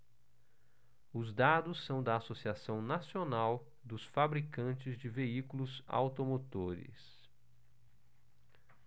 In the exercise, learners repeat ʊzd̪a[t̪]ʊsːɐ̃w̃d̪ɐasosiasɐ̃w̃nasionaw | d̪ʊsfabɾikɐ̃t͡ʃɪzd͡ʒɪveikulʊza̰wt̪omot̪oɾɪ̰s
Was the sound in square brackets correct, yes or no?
no